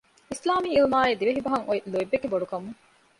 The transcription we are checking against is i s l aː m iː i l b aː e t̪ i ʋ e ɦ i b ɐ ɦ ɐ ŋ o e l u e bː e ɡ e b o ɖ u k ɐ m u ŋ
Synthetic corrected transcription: i s l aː m iː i l m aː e d̪ i ʋ e ɦ i b ɐ ɦ ɐ ŋ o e l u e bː e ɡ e b o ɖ u k ɐ m u ŋ